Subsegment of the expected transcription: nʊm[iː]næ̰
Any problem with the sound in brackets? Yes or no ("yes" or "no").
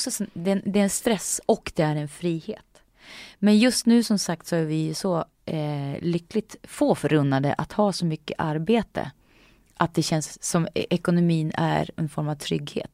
no